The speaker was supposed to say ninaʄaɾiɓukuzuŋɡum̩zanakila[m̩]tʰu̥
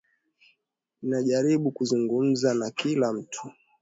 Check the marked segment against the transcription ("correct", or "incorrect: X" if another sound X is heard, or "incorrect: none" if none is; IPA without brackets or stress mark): correct